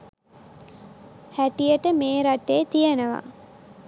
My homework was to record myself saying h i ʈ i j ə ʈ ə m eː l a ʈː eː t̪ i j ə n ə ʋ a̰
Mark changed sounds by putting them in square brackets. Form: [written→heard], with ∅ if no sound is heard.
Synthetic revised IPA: h [i→æ] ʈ i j ə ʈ ə m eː [l→ɾ] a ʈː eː t̪ i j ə n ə ʋ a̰